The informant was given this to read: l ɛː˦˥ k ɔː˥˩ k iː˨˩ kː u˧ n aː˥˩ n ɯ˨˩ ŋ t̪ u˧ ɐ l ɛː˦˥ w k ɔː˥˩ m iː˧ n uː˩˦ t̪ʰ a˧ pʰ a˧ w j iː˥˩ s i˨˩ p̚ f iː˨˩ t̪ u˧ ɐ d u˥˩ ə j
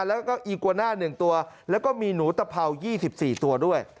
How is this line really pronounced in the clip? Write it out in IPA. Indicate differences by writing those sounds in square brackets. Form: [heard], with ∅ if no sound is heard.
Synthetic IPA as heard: l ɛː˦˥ k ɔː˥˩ [ʔ] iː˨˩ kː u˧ n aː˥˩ n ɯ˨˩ ŋ t̪ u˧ ɐ l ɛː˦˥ w k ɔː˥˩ m iː˧ n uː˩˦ [t̪] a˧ pʰ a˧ w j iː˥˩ s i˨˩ p̚ [s] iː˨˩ t̪ u˧ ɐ d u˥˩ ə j